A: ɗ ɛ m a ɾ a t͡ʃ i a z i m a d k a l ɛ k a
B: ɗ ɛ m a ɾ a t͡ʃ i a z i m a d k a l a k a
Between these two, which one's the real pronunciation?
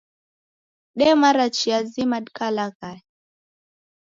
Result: B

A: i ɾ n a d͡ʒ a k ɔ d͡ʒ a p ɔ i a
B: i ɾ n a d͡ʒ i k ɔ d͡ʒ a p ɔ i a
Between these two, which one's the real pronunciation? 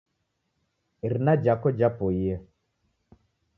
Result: A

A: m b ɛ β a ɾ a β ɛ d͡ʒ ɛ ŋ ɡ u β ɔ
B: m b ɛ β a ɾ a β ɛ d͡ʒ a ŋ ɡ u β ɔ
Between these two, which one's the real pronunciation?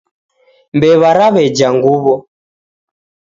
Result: B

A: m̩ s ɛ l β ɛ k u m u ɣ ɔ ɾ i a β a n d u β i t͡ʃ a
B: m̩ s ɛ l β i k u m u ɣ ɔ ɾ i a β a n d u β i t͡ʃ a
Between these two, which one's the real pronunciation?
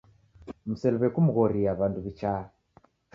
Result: A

